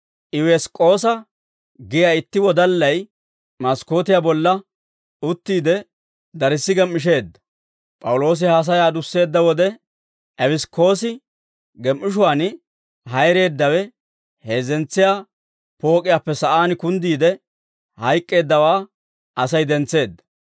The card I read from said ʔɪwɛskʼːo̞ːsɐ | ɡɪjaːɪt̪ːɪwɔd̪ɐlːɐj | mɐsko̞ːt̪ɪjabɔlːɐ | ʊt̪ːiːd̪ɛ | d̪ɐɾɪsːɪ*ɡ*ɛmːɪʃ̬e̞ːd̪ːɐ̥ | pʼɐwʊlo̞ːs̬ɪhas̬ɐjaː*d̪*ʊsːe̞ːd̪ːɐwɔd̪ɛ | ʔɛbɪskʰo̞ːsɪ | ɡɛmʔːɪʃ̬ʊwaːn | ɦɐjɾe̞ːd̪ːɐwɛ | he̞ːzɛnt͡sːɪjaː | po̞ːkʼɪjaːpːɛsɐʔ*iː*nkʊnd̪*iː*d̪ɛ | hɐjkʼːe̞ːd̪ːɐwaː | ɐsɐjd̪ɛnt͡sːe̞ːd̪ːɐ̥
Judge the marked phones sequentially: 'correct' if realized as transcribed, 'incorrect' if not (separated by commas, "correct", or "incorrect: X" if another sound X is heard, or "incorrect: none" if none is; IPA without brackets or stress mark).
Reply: correct, correct, incorrect: aː, correct